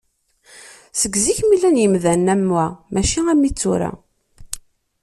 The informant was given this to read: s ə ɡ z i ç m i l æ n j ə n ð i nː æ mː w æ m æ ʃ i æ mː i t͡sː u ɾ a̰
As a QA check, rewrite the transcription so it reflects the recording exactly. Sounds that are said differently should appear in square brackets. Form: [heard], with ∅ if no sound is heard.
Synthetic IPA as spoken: s ə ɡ z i ç m i l æ n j ə [m] ð [æ] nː æ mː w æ m æ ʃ i æ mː i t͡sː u ɾ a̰